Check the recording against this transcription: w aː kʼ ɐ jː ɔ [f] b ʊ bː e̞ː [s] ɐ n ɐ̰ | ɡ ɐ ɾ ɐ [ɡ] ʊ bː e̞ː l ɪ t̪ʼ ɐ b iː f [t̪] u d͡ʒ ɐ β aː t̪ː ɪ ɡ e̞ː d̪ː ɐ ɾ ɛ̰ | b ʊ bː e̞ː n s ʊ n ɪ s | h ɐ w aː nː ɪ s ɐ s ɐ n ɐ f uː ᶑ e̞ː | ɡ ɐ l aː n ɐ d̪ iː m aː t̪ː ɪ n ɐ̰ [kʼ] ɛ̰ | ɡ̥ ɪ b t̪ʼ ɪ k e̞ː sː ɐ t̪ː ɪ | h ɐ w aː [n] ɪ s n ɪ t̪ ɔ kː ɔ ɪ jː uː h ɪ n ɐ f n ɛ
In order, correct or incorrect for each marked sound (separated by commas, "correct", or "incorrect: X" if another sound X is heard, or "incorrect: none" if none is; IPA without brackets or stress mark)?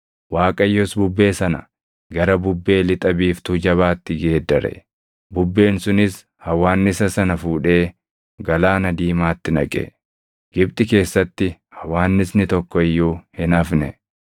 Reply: incorrect: s, correct, incorrect: b, correct, correct, incorrect: nː